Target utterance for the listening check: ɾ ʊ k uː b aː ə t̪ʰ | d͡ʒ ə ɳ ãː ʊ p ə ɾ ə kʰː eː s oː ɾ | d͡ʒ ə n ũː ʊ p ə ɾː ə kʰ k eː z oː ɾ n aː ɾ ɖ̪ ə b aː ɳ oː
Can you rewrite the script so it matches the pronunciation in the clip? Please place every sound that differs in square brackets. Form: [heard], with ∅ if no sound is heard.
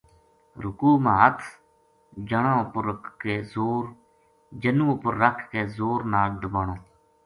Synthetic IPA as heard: ɾ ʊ k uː [m] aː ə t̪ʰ | d͡ʒ ə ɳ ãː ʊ p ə ɾ ə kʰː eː [z] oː ɾ | d͡ʒ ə n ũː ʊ p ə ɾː ə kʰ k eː z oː ɾ n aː [l] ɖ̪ ə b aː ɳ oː